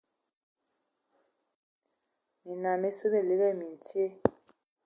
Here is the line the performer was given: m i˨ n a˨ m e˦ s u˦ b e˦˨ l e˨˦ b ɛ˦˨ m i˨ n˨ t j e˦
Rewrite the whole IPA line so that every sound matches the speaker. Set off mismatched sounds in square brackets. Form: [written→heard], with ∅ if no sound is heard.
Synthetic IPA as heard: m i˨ n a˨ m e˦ s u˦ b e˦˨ l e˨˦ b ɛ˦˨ m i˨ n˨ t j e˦